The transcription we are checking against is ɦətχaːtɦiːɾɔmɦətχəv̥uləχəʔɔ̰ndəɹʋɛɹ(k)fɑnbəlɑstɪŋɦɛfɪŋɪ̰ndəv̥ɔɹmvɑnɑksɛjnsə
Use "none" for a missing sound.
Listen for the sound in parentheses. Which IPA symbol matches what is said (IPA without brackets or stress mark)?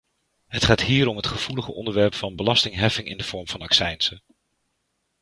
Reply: p